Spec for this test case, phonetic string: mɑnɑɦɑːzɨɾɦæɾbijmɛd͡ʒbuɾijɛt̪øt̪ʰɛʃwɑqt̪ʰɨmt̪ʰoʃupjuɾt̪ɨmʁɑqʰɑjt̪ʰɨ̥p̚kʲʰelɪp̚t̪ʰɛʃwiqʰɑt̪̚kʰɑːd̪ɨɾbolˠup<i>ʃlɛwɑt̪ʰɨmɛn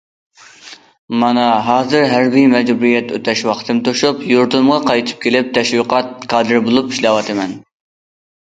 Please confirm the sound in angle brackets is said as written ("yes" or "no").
yes